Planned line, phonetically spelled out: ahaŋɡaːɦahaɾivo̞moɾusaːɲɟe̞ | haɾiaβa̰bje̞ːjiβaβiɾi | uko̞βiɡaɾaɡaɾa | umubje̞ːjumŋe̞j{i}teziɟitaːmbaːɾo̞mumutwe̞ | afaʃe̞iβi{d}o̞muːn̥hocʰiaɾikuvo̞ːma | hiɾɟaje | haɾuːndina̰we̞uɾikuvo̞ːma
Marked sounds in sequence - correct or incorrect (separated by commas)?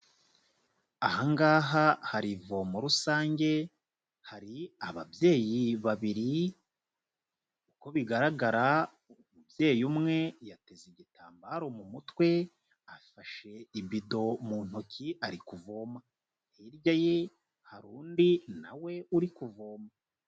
incorrect, correct